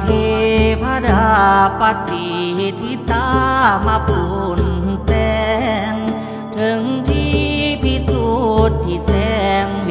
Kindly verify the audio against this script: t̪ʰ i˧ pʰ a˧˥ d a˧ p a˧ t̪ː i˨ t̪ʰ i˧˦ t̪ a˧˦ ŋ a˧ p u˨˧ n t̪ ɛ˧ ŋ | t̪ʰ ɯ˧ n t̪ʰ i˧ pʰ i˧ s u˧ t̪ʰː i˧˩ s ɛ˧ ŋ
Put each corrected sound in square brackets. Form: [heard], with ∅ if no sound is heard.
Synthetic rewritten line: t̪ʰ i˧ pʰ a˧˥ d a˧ p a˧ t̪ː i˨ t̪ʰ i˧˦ t̪ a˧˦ [m] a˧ p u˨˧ n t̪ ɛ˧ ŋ | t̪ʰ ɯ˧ [ŋ] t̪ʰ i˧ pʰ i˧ s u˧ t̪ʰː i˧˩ s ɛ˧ ŋ

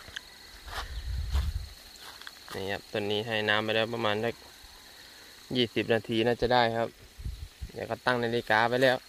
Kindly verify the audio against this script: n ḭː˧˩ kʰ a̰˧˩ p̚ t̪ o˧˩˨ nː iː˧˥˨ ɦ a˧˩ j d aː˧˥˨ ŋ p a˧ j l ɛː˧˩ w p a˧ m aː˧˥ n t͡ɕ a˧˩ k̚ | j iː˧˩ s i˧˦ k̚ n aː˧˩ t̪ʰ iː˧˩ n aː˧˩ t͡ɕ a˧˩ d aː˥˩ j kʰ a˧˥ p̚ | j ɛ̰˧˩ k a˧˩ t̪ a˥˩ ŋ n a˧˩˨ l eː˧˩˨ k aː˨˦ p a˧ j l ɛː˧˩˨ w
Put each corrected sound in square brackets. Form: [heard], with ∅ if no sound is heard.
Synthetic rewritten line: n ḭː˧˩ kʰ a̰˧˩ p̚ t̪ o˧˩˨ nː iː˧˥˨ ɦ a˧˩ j [n] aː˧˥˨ [m] p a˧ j l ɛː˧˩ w p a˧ m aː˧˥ n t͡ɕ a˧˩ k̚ | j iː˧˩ s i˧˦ [p̚] n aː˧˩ t̪ʰ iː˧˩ n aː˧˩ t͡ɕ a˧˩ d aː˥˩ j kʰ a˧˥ p̚ | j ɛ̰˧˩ k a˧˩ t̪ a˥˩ ŋ n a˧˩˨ l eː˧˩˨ k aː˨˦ p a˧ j l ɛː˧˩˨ w

